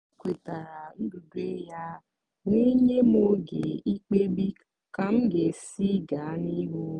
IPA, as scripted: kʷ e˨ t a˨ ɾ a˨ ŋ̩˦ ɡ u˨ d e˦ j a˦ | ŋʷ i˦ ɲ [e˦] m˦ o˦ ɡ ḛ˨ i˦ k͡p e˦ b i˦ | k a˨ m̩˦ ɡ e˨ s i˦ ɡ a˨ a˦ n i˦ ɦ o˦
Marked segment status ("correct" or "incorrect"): correct